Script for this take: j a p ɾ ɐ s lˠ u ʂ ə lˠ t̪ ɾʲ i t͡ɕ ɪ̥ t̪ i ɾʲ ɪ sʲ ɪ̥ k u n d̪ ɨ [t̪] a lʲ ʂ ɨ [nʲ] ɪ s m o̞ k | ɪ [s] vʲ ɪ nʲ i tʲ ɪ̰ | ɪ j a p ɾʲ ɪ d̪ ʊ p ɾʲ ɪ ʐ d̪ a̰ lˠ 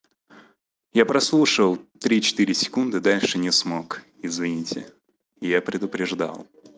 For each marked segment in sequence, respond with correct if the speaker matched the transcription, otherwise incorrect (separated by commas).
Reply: incorrect, correct, incorrect